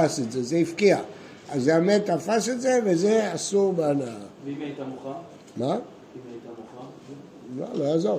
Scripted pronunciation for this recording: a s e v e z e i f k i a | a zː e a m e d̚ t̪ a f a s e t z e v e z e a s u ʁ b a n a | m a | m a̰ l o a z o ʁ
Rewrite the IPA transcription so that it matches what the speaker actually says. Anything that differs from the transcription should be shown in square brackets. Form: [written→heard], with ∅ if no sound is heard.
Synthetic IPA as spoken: a s e [v→z] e z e i f k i a | a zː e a m e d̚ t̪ a f a s e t z e v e z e a s u ʁ b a n a | m a | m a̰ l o a z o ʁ